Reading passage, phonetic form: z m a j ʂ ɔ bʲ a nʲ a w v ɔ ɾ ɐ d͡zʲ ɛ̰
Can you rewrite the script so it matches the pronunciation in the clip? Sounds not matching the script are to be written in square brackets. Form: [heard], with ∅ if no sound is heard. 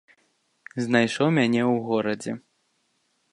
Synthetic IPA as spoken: z [n] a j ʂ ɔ [mʲ] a nʲ [ɛ] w [ɣ] ɔ ɾ ɐ d͡zʲ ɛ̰